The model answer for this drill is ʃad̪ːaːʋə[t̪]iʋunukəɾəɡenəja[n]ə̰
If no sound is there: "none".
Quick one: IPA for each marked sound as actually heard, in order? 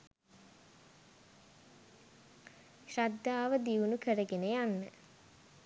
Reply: d̪, nː

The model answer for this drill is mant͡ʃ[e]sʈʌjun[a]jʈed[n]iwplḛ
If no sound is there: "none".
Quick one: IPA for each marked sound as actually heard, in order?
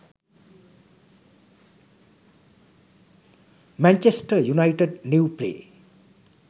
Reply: e, a, n

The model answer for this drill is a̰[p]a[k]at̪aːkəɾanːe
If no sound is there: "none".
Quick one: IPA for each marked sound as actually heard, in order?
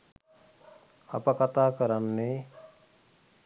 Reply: p, k

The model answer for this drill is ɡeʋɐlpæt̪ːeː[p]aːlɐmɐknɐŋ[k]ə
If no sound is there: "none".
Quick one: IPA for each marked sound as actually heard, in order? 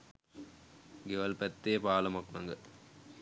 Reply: p, ɡ

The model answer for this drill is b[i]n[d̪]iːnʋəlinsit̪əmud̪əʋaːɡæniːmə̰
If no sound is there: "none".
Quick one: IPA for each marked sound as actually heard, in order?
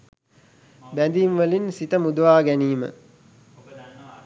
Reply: æ, d̪

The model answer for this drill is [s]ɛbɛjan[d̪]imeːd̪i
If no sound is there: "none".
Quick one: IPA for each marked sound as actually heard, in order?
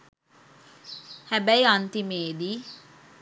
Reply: h, t̪

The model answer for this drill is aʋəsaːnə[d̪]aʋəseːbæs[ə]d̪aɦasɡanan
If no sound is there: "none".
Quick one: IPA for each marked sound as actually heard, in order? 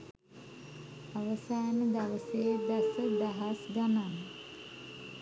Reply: d̪, ə

